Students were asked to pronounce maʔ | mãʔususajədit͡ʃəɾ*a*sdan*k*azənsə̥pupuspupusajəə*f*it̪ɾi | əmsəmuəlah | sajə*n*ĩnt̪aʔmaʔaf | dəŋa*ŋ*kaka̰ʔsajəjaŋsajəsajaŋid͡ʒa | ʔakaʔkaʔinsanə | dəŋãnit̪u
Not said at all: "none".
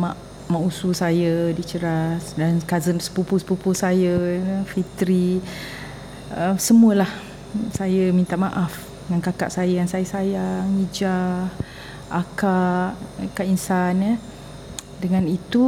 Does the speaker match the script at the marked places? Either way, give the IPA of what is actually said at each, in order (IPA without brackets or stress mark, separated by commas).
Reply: a, k, f, m, n